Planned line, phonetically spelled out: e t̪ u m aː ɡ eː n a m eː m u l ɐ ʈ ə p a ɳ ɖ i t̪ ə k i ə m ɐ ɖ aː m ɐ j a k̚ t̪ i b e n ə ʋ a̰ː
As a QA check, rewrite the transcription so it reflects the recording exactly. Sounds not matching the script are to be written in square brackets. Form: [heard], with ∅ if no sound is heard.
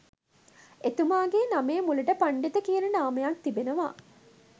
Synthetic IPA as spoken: e t̪ u m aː ɡ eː n a m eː m u l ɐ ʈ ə p a ɳ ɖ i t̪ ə k i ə [n] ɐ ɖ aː m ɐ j a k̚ t̪ i b e n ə ʋ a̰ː